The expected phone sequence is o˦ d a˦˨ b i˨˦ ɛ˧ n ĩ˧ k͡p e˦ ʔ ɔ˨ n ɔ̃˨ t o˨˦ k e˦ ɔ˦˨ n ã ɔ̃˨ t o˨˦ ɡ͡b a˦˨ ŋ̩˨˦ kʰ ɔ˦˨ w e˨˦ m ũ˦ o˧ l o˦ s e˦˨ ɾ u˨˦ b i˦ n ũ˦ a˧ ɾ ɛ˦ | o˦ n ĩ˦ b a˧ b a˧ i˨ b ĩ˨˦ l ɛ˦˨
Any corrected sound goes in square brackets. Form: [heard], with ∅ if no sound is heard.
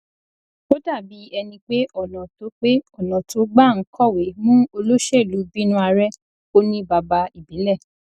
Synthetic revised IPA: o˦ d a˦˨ b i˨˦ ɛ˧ n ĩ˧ k͡p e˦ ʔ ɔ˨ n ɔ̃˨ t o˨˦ [k͡p] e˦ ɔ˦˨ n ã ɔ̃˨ t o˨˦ ɡ͡b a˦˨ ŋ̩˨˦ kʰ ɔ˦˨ w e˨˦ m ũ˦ o˧ l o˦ [ʃ] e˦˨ [l] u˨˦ b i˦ n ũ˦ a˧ ɾ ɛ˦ | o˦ n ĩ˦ b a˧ b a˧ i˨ b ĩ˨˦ l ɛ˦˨